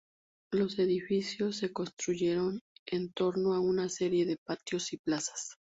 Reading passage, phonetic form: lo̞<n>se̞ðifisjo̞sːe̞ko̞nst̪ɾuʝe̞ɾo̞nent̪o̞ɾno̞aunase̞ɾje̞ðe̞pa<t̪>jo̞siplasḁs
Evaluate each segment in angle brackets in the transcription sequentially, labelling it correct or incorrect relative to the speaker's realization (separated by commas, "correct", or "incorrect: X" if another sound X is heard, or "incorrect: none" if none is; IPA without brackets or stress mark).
incorrect: none, correct